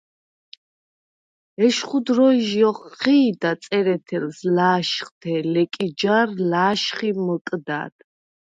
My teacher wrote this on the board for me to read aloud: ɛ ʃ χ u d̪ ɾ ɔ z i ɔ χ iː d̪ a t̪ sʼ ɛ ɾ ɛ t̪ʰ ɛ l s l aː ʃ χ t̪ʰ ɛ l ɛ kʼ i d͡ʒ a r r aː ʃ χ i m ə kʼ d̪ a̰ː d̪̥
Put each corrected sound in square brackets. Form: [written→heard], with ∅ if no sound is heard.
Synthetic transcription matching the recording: ɛ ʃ χ u d̪ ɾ ɔ [z→ʒ] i ɔ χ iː d̪ a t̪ sʼ ɛ ɾ ɛ t̪ʰ ɛ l s l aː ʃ χ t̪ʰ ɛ l ɛ kʼ i d͡ʒ a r [r→l] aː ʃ χ i m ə kʼ d̪ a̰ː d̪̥

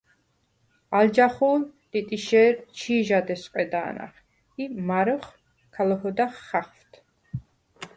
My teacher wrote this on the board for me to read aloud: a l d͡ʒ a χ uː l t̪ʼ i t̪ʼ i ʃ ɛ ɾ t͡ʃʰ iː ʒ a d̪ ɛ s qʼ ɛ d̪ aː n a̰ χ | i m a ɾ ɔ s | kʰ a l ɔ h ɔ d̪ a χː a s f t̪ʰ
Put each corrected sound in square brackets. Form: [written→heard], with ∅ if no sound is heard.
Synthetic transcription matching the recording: a l d͡ʒ a χ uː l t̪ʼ i t̪ʼ i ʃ ɛ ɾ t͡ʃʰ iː ʒ a d̪ ɛ s qʼ ɛ d̪ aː n a̰ χ | i m a ɾ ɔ [s→χ] | kʰ a l ɔ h ɔ d̪ a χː a [s→χ] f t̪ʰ

